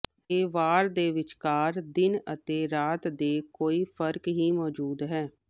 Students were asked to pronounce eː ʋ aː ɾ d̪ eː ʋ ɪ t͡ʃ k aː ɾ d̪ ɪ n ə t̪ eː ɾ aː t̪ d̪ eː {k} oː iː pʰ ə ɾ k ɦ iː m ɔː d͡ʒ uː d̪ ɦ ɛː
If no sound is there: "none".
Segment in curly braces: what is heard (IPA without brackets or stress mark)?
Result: k